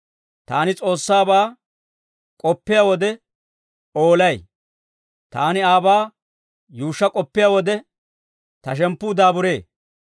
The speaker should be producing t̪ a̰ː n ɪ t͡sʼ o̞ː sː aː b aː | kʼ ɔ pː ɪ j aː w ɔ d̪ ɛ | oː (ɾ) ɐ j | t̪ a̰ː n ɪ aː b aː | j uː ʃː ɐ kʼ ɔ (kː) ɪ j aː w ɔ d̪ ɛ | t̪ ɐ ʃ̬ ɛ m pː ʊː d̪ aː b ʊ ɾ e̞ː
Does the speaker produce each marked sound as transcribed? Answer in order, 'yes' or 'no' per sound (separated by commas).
no, no